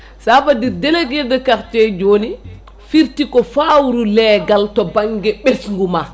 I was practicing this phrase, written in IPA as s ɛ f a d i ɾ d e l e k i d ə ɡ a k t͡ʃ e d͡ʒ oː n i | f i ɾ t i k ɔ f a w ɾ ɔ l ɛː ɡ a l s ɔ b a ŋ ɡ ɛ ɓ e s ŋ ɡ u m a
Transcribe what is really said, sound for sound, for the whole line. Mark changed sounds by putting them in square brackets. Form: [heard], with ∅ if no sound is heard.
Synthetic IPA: s [a] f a d i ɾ d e l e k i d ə [k] a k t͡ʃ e d͡ʒ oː n i | f i ɾ t i k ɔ f a w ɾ [u] l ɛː ɡ a l [t] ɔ b a ŋ ɡ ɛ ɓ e s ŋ ɡ u m a